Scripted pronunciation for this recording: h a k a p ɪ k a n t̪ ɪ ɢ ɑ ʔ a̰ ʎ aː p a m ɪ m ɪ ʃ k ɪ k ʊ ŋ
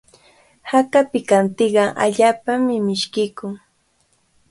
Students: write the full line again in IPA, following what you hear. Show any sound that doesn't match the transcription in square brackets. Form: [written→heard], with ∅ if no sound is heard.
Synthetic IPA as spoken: h a k a p ɪ k a n t̪ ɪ ɢ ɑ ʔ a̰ ʎ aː p a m ɪ m ɪ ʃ k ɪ k ʊ ŋ